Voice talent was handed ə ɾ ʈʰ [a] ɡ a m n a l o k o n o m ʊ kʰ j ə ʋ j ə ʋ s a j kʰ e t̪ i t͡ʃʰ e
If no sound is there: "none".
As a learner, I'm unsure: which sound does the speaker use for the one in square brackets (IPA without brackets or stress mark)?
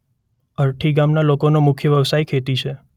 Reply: i